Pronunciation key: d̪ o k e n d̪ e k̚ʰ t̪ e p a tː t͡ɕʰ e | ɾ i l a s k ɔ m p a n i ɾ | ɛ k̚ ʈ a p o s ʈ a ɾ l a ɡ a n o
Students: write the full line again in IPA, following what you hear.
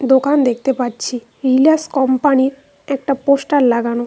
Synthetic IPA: d̪ o k a n d̪ e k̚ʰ t̪ e p a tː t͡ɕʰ i | ɾ i l a s k ɔ m p a n i ɾ | ɛ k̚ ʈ a p o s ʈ a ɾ l a ɡ a n o